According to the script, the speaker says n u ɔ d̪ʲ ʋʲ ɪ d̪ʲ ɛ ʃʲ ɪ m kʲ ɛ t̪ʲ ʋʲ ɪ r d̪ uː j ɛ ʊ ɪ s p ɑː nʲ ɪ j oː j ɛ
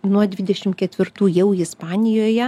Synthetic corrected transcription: n u ɔ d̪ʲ ʋʲ ɪ d̪ʲ ɛ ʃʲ ɪ m kʲ ɛ t̪ʲ ʋʲ ɪ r t̪ uː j ɛ ʊ ɪ s p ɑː nʲ ɪ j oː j ɛ